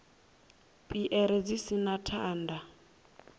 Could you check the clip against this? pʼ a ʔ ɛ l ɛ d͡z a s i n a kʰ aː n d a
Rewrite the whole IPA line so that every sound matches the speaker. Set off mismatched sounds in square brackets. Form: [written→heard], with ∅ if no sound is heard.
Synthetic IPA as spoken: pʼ [a→i] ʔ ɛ [l→ɾ] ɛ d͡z [a→i] s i n a [kʰ→tʰ] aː n d a